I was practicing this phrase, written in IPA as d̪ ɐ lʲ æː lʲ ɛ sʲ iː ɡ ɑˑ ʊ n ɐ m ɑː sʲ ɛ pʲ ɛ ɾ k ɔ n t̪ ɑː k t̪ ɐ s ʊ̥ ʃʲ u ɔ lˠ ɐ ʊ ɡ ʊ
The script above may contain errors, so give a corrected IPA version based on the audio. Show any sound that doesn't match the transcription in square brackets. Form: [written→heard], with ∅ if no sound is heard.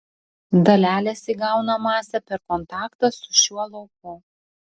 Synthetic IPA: d̪ ɐ lʲ æː lʲ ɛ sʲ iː ɡ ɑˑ ʊ n ɐ m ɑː sʲ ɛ pʲ ɛ ɾ k ɔ n t̪ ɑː k t̪ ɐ s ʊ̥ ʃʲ u ɔ lˠ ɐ ʊ [ɡ→k] ʊ